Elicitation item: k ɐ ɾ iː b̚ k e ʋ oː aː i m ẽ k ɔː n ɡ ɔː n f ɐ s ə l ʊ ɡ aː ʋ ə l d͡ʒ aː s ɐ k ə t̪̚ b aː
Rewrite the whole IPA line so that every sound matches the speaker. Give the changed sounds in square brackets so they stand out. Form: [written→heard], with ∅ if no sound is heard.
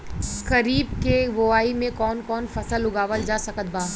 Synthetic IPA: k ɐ ɾ iː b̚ k e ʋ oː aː i m ẽ k ɔː n [ɡ→k] ɔː n f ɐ s ə l ʊ ɡ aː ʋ ə l d͡ʒ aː s ɐ k ə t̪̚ b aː